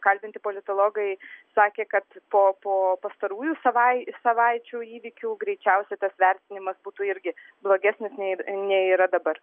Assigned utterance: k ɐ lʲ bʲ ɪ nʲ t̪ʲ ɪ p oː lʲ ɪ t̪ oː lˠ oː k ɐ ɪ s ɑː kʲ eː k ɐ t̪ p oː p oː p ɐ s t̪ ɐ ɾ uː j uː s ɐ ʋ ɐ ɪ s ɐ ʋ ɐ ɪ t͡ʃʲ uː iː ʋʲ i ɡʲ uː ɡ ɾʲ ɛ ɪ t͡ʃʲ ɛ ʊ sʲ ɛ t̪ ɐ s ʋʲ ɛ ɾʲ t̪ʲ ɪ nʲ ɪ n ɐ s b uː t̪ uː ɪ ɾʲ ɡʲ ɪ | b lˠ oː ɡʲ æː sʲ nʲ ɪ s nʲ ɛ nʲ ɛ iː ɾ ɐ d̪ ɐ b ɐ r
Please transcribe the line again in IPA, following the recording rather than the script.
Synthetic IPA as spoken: k ɐ lʲ bʲ ɪ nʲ t̪ʲ ɪ p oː lʲ ɪ t̪ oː lˠ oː ɡ ɐ ɪ s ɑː kʲ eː k ɐ t̪ p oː p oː p ɐ s t̪ ɐ ɾ uː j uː s ɐ ʋ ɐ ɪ s ɐ ʋ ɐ ɪ t͡ʃʲ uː iː ʋʲ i kʲ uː ɡ ɾʲ ɛ ɪ t͡ʃʲ ɛ ʊ sʲ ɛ t̪ ɐ s ʋʲ ɛ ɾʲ t̪ʲ ɪ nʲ ɪ m ɐ s b uː t̪ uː ɪ ɾʲ ɡʲ ɪ | b lˠ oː ɡʲ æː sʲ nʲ ɪ s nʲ ɛ nʲ ɛ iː ɾ ɐ d̪ ɐ b ɐ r